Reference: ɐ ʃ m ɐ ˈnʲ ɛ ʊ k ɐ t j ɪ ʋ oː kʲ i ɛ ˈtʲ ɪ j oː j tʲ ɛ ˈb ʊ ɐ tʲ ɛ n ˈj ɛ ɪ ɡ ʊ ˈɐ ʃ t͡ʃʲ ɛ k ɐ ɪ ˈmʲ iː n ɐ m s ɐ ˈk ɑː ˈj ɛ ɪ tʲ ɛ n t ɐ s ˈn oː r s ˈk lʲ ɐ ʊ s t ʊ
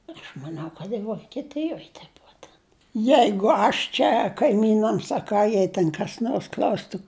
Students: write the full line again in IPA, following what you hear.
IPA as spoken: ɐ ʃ m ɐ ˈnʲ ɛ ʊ k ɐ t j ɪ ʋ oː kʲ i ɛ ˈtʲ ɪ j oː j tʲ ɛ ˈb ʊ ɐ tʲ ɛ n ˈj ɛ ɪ ɡ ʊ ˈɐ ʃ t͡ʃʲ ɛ k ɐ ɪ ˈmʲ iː n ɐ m s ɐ ˈk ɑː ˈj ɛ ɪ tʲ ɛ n k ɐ s ˈn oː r s ˈk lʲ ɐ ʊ s t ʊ

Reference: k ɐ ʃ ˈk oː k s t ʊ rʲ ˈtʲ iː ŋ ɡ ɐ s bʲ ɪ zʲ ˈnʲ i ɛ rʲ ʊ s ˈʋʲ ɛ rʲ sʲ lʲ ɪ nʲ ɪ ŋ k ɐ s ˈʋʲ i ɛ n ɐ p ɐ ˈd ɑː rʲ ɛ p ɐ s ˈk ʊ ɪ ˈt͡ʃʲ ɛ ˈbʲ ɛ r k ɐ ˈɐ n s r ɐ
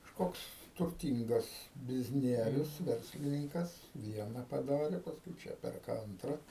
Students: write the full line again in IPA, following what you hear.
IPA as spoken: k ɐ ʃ ˈk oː k s t ʊ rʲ ˈtʲ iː ŋ ɡ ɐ s bʲ ɪ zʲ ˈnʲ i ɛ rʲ ʊ s ˈʋʲ ɛ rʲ sʲ lʲ ɪ nʲ ɪ ŋ k ɐ s ˈʋʲ i ɛ n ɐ p ɐ ˈd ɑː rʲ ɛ p ɐ s ˈk ʊ ɪ ˈt͡ʃʲ ɛ ˈpʲ ɛ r k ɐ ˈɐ n t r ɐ

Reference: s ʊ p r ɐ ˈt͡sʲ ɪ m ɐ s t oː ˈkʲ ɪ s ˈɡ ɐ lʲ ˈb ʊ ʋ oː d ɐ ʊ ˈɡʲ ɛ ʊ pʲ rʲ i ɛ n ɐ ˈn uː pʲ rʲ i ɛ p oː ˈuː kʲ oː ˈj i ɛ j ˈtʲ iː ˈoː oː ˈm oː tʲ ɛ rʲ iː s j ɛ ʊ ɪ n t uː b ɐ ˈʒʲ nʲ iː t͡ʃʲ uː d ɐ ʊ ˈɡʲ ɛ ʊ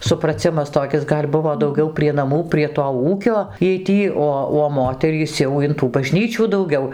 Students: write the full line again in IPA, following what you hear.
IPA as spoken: s ʊ p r ɐ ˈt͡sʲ ɪ m ɐ s t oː ˈkʲ ɪ s ˈɡ ɐ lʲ ˈb ʊ ʋ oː d ɐ ʊ ˈɡʲ ɛ ʊ pʲ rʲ i ɛ n ɐ ˈm uː pʲ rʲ i ɛ t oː ˈuː kʲ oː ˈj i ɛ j ˈtʲ iː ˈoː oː ˈm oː tʲ ɛ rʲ iː s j ɛ ʊ ɪ n t uː b ɐ ˈʒʲ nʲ iː t͡ʃʲ uː d ɐ ʊ ˈɡʲ ɛ ʊ

